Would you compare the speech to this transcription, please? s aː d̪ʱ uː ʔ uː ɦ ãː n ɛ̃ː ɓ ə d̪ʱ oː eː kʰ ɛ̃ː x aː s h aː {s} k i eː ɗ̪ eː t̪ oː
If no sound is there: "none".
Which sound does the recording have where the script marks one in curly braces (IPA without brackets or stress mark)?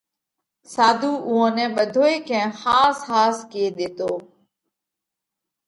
s